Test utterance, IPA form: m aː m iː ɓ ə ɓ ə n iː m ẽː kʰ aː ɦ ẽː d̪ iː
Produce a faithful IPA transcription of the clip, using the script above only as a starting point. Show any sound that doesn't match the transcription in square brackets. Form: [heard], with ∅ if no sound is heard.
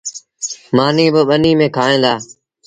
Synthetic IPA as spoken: m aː [n] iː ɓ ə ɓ ə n iː m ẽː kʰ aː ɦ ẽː d̪ [aː]